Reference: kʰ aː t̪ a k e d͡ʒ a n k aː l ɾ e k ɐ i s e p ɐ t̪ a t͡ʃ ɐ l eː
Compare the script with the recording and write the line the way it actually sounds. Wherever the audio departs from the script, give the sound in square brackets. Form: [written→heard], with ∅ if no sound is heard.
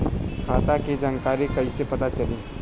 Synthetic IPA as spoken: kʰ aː t̪ a k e d͡ʒ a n k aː [l→∅] ɾ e k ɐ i s e p ɐ t̪ a t͡ʃ ɐ l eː